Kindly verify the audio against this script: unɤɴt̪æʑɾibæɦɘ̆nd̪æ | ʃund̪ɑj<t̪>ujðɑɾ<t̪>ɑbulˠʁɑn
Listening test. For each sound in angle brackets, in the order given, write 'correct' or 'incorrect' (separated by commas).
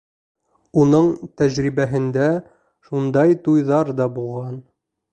correct, incorrect